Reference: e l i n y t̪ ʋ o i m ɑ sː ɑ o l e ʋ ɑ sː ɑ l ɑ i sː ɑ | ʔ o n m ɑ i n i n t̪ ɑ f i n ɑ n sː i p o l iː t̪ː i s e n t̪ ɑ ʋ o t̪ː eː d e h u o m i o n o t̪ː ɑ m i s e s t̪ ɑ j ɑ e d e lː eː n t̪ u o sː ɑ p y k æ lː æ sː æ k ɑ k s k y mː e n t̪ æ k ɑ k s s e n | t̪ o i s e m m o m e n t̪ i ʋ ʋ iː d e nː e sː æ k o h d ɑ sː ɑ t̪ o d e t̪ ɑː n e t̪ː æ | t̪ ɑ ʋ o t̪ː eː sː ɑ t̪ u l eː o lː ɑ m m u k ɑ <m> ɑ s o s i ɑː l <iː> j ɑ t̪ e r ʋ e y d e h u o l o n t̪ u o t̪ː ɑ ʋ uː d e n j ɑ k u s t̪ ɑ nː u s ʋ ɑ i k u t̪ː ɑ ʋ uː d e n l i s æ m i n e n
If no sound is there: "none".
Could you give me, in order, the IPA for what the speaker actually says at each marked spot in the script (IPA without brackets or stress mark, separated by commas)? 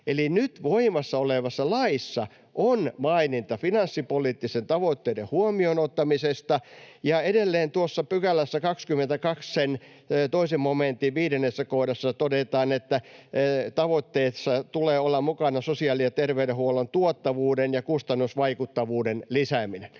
n, i